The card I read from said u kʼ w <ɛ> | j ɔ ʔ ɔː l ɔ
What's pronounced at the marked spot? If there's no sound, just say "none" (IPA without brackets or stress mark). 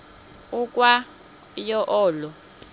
a